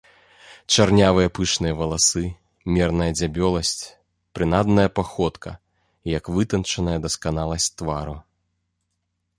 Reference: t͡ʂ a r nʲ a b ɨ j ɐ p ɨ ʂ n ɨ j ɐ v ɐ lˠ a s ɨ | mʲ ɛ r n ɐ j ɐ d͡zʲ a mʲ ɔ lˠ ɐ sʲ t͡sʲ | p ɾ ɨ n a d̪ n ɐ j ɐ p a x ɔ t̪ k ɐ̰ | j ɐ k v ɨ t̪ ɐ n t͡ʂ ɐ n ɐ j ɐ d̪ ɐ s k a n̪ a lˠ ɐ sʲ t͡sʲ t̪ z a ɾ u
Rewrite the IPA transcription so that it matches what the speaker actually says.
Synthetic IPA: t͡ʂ a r nʲ a v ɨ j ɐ p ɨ ʂ n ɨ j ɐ v ɐ lˠ a s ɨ | mʲ ɛ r n ɐ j ɐ d͡zʲ a bʲ ɔ lˠ ɐ sʲ t͡sʲ | p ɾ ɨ n a d̪ n ɐ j ɐ p a x ɔ t̪ k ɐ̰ | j ɐ k v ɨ t̪ ɐ n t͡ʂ ɐ n ɐ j ɐ d̪ ɐ s k a n̪ a lˠ ɐ sʲ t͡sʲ t̪ v a ɾ u